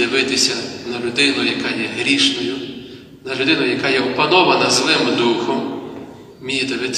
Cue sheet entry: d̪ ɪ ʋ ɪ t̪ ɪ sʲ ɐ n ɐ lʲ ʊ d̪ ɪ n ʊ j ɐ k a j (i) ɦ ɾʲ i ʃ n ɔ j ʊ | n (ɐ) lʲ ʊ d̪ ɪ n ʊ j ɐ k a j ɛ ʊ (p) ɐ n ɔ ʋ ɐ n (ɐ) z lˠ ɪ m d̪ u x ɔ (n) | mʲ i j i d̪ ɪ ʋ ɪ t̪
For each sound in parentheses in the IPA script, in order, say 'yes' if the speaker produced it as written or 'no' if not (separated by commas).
no, yes, yes, yes, no